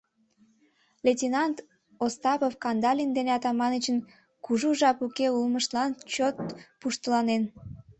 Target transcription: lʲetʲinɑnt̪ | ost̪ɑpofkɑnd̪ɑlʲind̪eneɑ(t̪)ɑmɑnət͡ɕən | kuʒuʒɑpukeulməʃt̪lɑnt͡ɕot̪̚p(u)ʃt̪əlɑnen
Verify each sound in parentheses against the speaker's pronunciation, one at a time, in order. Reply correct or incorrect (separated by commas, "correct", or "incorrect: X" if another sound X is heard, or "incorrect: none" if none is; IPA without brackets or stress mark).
correct, correct